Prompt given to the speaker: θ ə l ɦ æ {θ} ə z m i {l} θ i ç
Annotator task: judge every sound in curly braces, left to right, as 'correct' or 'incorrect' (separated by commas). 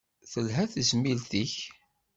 correct, correct